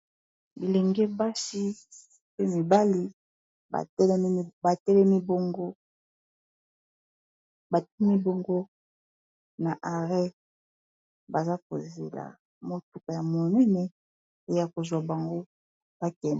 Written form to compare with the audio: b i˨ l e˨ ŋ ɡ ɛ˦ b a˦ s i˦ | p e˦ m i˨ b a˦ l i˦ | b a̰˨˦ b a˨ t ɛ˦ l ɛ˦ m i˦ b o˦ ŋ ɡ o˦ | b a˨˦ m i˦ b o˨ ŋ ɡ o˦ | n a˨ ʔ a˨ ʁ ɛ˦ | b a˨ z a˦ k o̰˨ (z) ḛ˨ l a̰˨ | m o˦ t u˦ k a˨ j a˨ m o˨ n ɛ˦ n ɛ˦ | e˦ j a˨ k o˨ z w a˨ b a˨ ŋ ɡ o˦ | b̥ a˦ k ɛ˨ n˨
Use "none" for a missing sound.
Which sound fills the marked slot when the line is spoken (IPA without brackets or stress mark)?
z